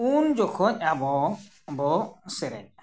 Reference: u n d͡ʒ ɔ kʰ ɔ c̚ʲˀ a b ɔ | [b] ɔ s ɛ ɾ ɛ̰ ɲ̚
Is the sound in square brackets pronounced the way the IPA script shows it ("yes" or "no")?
yes